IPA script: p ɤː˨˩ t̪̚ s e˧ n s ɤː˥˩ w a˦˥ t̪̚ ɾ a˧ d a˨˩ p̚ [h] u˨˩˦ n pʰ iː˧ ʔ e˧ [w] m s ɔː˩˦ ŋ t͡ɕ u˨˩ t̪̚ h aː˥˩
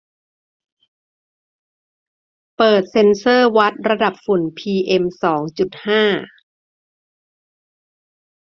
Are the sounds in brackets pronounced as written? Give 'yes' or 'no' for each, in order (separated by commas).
no, no